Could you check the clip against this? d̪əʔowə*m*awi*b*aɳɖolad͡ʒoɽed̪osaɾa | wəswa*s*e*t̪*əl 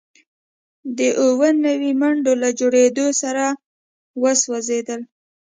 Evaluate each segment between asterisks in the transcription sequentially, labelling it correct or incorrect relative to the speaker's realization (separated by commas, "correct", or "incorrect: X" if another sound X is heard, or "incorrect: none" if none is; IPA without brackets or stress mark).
incorrect: n, incorrect: m, incorrect: z, incorrect: d̪